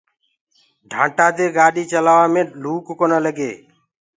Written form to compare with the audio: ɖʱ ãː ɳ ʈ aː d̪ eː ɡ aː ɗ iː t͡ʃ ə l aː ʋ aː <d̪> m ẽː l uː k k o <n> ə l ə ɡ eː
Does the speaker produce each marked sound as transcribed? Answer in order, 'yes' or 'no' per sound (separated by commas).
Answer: no, yes